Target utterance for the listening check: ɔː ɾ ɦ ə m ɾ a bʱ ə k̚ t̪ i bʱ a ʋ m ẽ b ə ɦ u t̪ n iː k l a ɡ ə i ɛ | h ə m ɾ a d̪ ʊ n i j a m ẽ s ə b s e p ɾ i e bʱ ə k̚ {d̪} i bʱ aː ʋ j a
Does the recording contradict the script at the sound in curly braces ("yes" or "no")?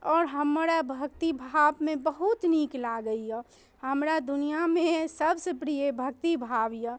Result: yes